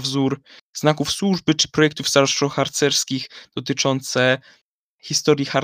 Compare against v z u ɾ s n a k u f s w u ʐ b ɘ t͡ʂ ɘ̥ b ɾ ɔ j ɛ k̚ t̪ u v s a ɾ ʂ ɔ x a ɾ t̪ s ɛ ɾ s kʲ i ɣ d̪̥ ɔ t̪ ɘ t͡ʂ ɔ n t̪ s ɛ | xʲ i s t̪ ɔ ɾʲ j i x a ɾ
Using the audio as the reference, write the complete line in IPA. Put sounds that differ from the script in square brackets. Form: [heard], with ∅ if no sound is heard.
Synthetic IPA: v z u ɾ [z] n a k u f s w u ʐ b ɘ t͡ʂ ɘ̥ [p] ɾ ɔ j ɛ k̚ t̪ u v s a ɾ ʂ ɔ x a ɾ t̪ s ɛ ɾ s kʲ i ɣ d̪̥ ɔ t̪ ɘ t͡ʂ ɔ n t̪ s ɛ | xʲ i s t̪ ɔ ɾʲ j i x a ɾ